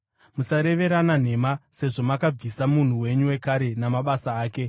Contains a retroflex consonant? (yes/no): yes